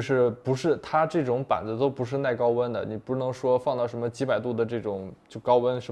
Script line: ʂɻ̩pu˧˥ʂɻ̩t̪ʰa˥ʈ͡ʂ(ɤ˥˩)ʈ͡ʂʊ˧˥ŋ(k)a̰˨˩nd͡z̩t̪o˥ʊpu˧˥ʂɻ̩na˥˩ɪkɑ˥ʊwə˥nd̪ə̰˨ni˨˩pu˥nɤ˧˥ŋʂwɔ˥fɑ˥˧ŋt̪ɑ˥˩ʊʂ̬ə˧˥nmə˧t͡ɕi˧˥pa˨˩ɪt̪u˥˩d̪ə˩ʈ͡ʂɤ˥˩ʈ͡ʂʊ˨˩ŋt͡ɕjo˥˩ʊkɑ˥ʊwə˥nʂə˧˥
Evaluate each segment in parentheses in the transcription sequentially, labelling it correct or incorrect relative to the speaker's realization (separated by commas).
correct, incorrect